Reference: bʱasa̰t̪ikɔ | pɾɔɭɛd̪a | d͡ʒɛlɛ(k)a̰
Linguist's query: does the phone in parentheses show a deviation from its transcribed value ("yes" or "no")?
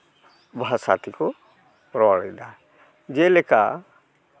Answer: no